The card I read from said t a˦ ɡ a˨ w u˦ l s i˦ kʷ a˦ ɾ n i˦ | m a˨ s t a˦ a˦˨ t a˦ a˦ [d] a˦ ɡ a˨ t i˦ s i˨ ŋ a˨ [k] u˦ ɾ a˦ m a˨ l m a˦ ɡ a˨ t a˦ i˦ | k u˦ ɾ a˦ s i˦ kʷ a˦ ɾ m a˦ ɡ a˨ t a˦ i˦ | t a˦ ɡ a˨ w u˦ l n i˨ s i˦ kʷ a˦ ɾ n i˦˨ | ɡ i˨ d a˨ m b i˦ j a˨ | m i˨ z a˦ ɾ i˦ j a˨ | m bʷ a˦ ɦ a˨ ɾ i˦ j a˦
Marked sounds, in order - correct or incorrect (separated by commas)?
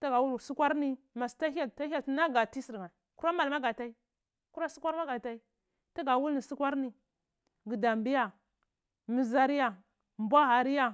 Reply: incorrect, correct